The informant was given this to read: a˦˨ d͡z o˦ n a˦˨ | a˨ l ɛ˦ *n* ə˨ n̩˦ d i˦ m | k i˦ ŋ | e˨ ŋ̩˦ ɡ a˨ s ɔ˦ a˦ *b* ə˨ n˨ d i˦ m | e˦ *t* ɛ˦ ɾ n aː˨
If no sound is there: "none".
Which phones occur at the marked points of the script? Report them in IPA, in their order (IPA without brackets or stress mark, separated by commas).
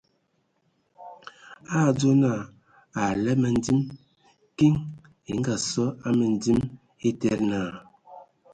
m, m, t